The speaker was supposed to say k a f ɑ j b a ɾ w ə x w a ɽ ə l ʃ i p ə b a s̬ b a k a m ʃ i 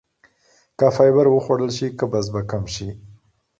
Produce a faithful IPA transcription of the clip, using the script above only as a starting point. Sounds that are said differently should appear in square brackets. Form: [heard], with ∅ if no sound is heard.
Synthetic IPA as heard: k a f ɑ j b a ɾ w ə x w a ɽ ə l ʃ i [k] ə b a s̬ b a k a m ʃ i